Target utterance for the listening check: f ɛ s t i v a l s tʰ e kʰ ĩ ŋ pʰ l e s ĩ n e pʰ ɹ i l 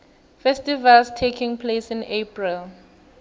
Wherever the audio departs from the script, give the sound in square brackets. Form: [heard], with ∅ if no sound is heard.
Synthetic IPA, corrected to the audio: f ɛ s t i v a l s tʰ e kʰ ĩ ŋ pʰ l e s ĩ n e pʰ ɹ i l